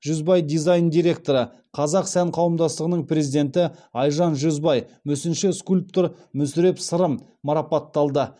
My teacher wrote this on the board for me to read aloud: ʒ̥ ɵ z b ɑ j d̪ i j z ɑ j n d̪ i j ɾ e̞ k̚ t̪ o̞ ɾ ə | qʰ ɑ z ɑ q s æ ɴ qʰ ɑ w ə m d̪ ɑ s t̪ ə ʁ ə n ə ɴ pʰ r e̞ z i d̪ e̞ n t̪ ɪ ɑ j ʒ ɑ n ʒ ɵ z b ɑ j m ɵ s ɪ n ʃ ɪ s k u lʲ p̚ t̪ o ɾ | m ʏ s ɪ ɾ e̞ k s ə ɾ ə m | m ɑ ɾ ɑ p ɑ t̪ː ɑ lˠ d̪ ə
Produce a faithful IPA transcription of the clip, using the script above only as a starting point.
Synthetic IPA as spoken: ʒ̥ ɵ z b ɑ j d̪ i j z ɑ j n d̪ i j ɾ e̞ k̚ t̪ o̞ ɾ ə | qʰ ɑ z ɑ q s æ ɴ qʰ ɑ w ə m d̪ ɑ s t̪ ə ʁ ə n ə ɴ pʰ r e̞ z i d̪ e̞ n t̪ ɪ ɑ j ʒ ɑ n ʒ ɵ z b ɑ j m ɵ s ɪ n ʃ ɪ s k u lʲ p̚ t̪ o ɾ | m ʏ s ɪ ɾ e̞ p s ə ɾ ə m | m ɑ ɾ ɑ p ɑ t̪ː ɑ lˠ d̪ ə